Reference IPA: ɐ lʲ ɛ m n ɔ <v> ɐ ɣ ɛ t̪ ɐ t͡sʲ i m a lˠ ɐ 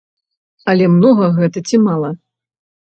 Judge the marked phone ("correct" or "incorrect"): incorrect